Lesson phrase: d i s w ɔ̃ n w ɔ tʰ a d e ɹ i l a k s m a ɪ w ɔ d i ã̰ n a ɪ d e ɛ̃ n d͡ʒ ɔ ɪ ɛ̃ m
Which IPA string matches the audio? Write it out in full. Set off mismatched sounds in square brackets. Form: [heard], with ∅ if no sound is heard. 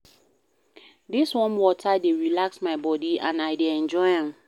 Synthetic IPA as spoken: d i s w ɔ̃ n w ɔ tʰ a d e ɹ i l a k s m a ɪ [b] ɔ d i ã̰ n a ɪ d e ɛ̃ n d͡ʒ ɔ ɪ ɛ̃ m

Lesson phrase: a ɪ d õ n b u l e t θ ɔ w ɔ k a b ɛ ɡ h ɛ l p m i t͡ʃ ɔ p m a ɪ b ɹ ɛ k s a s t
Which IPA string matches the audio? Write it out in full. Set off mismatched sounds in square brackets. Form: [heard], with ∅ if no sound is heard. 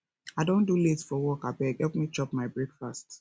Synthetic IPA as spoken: a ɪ d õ n [d] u l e t [f] ɔ w ɔ k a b ɛ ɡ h ɛ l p m i t͡ʃ ɔ p m a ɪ b ɹ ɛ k [f] a s t

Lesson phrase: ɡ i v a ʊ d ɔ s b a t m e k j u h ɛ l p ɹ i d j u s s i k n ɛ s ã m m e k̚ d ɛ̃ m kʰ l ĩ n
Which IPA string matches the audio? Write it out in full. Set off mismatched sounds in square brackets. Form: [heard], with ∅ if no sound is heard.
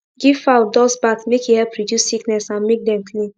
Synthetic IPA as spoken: ɡ i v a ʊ d ɔ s b a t m e k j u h ɛ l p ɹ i d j u s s i k n ɛ s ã [n] m e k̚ d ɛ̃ m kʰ l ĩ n

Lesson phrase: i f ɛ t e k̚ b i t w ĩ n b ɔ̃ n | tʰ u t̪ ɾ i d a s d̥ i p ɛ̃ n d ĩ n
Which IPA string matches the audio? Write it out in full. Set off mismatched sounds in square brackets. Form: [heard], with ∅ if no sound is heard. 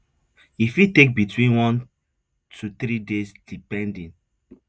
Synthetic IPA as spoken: i f [i] t e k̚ b i t w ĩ n [w] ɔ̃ n | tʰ u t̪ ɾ i d [e] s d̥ i p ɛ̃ n d ĩ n

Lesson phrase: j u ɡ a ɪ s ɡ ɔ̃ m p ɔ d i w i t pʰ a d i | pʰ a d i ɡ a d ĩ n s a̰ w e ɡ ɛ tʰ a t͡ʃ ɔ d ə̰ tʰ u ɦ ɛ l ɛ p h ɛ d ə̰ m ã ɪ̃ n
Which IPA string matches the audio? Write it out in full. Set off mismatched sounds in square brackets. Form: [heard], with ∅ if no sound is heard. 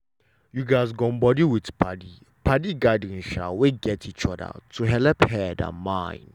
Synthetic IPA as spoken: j u ɡ a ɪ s ɡ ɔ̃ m [b] ɔ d i w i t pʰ a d i | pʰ a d i ɡ a d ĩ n [ʃ] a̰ w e ɡ ɛ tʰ [i] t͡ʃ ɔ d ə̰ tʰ u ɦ ɛ l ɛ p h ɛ d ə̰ m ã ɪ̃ n

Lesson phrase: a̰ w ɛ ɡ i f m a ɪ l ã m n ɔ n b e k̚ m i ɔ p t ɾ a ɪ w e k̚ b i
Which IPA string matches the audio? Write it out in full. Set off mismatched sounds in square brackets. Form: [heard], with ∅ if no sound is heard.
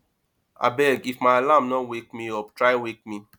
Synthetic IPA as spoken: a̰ [b] ɛ ɡ i f m a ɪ l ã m n ɔ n [w] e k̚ m i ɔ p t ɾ a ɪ w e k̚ [m] i

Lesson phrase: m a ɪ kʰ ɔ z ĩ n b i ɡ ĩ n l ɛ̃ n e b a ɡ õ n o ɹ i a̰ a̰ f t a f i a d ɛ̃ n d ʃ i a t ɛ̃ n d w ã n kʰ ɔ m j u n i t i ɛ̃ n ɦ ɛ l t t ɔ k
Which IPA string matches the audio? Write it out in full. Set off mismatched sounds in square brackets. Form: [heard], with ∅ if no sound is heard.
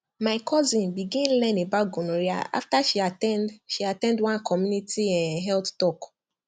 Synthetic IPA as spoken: m a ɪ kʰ ɔ z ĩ n b i ɡ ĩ n l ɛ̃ n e b a ɡ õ n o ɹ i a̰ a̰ f t a [ʃ] i a [t] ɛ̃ n d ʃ i a t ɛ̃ n d w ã n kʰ ɔ m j u n i t i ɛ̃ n ɦ ɛ l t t ɔ k

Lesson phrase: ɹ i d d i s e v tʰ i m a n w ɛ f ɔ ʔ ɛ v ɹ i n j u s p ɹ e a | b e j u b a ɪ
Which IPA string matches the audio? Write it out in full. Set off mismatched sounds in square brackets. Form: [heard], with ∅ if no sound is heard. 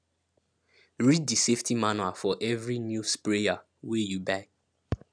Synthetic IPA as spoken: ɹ i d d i s e [f] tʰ i m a n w [a] f ɔ ʔ ɛ v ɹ i n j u s p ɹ e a | [w] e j u b a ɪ

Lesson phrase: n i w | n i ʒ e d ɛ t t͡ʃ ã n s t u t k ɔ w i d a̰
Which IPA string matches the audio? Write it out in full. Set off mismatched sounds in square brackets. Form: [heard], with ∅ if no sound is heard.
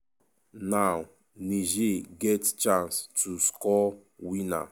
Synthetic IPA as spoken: n [a] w | n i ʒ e [ɡ] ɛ t t͡ʃ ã n s t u [s] k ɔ w i [n] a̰

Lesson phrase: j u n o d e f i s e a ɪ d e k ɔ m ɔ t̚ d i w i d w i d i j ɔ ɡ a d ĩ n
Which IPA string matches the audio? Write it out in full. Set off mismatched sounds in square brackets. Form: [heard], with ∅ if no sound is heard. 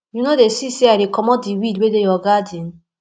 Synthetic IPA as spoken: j u n o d e [s] i s e a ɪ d e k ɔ m ɔ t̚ d i w i d w [e] d [e] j ɔ ɡ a d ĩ n

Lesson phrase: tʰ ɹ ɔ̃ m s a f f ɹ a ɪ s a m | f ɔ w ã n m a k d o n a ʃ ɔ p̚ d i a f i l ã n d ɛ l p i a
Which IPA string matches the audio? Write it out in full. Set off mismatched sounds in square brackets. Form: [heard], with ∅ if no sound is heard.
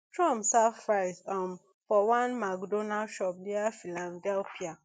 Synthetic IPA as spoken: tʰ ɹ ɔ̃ m s a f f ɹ a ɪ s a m | f ɔ w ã n m a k d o n a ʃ ɔ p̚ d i a f i l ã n d ɛ l p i a

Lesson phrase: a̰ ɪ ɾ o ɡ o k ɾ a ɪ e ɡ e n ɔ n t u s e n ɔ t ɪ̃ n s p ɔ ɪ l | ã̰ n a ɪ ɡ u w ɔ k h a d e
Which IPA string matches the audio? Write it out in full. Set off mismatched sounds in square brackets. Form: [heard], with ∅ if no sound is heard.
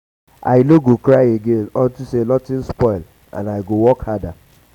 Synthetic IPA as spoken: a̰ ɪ [l] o ɡ o k ɾ a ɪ e ɡ e n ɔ n t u s e n ɔ t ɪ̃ n s p ɔ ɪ l | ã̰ n a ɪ ɡ [o] w ɔ k h a d [a]

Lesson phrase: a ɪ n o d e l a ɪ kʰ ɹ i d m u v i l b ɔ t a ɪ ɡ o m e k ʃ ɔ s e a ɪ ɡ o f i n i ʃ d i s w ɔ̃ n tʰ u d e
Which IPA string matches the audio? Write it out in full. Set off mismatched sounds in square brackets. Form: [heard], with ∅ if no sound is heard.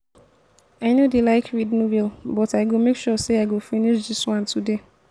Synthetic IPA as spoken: a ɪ n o d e l a ɪ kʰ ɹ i d [n] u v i l b ɔ t a ɪ ɡ o m e k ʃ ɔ s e a ɪ ɡ o f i n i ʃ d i s w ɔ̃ n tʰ u d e

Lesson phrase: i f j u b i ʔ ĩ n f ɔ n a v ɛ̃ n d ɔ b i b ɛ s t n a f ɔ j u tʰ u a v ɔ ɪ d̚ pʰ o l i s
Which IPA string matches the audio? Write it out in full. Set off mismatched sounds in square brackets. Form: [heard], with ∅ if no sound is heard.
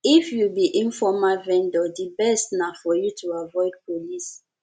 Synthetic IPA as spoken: i f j u b i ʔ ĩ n f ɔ [m] a v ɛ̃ n d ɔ [d] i b ɛ s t n a f ɔ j u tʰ u a v ɔ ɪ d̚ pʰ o l i s

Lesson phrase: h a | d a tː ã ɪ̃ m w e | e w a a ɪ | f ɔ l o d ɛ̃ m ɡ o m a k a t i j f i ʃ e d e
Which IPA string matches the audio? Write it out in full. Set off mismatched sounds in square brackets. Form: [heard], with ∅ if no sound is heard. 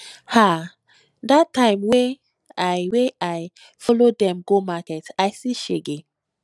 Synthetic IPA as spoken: h a | d a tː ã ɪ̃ m w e | [a] w [e] a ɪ | f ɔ l o d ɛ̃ m ɡ o m a k [ɛ] t [a] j [s] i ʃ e [ɡ] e

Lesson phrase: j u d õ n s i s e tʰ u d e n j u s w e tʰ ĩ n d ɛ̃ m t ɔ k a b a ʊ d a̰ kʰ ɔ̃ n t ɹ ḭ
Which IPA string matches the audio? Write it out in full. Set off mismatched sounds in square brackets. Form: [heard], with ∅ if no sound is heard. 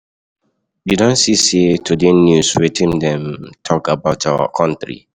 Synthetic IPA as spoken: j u d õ n s i s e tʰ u d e n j u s w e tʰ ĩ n d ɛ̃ m [tʰ] ɔ k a b a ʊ [t] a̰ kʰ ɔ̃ n t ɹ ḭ

